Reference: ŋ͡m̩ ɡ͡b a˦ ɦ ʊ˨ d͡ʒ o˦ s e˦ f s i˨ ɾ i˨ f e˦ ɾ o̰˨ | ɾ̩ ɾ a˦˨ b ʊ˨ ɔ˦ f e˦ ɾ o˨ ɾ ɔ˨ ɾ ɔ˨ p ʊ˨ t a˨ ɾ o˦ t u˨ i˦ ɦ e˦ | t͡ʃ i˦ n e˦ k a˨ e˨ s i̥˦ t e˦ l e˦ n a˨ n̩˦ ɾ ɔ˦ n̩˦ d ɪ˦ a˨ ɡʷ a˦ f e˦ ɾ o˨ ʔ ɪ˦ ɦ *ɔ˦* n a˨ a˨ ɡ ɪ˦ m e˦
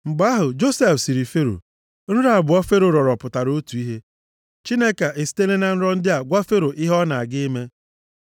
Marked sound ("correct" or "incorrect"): correct